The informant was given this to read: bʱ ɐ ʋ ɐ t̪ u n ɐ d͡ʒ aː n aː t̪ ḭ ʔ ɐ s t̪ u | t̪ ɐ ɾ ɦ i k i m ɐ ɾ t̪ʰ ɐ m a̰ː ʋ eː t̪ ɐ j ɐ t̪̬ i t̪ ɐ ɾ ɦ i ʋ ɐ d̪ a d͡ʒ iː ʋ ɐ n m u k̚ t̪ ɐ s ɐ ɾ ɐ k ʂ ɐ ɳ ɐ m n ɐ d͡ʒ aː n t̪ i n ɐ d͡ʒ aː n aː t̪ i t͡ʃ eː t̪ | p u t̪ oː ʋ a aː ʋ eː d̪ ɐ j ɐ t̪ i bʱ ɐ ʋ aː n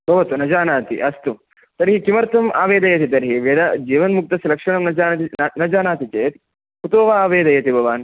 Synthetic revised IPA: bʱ ɐ ʋ ɐ t̪ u n ɐ d͡ʒ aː n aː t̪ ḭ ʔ ɐ s t̪ u | t̪ ɐ ɾ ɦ i k i m ɐ ɾ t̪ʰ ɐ m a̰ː ʋ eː d̪ ɐ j ɐ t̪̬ i t̪ ɐ ɾ ɦ i ʋ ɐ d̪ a d͡ʒ iː ʋ ɐ n m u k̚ t̪ ɐ s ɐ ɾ ɐ k ʂ ɐ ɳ ɐ m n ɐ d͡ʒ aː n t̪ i n ɐ d͡ʒ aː n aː t̪ i t͡ʃ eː t̪ | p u t̪ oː ʋ a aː ʋ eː d̪ ɐ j ɐ t̪ i bʱ ɐ ʋ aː n